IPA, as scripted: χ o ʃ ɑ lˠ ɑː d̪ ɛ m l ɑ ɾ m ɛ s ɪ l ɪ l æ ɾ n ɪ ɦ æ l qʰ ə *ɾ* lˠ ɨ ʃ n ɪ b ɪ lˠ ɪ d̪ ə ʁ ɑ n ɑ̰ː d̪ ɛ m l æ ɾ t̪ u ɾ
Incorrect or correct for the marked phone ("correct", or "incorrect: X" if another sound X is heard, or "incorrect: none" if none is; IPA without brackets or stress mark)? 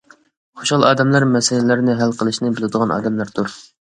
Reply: incorrect: none